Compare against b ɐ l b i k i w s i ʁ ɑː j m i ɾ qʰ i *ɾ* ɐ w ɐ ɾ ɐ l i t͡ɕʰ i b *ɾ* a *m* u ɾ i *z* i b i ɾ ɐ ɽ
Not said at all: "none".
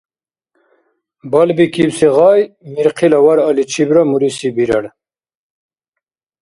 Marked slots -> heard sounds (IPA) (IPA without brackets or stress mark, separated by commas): l, ɾ, m, s